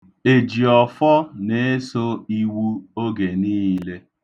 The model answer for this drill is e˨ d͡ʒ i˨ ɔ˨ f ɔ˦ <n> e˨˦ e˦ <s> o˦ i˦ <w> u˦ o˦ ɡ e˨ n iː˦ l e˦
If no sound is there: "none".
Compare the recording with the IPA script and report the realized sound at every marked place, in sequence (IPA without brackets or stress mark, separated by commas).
n, s, w